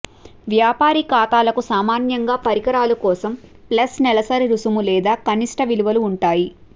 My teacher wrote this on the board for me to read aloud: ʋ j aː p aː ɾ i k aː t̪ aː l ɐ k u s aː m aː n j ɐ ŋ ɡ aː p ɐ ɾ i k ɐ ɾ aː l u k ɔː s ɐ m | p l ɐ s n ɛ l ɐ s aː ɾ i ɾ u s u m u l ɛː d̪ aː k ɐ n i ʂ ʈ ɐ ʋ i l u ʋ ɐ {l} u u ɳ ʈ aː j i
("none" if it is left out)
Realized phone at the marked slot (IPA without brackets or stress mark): l